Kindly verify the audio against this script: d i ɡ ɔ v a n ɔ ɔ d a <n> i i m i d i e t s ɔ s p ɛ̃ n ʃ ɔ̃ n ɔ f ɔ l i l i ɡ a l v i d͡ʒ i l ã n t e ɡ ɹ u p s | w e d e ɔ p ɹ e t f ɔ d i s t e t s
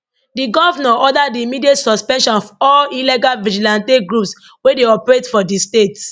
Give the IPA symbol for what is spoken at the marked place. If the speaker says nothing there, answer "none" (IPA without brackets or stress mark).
d